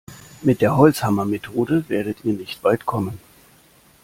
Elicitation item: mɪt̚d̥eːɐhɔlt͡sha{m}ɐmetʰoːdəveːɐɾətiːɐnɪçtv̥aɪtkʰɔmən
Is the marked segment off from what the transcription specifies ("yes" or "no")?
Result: no